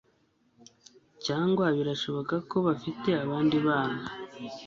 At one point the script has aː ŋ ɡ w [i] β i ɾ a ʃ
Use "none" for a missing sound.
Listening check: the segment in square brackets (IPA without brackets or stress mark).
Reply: a